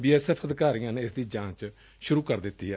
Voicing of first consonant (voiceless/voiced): voiced